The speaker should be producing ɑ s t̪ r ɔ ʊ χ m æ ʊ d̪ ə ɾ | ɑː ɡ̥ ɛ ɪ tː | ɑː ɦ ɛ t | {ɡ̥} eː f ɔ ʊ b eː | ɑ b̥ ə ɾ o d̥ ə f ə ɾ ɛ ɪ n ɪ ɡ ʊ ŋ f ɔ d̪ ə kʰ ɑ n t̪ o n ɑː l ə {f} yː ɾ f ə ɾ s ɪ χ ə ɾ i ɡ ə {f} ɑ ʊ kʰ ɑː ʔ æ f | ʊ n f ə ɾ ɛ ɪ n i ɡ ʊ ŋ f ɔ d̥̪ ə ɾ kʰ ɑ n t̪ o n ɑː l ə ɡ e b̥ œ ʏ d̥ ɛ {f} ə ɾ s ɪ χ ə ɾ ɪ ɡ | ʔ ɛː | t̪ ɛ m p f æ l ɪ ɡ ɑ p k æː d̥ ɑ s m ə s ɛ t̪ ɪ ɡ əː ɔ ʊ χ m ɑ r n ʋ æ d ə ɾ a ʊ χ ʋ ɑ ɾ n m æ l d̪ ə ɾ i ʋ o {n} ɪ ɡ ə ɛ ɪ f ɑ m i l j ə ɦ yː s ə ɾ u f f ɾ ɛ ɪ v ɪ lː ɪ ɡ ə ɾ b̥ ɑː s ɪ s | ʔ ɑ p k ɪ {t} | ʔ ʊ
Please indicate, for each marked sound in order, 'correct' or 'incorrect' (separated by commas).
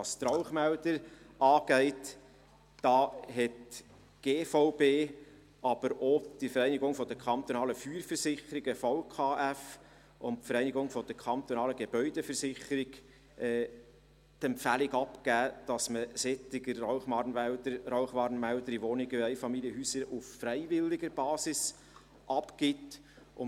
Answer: correct, correct, correct, correct, correct, correct